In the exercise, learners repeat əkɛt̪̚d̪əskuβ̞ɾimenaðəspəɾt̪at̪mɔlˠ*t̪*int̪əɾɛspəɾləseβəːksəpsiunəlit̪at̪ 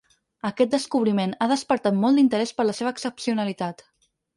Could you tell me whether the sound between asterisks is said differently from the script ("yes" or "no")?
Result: yes